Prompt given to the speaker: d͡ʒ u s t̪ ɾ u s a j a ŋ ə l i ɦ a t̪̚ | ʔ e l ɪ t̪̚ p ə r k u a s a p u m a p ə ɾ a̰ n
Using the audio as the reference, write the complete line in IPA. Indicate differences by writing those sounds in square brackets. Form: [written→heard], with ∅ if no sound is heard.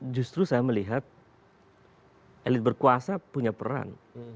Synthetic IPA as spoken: d͡ʒ u s t̪ ɾ u s a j a [ŋ→m] ə l i ɦ a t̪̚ | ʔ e l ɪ t̪̚ [p→b] ə r k u a s a p u [m→ɲ] a p ə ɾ a̰ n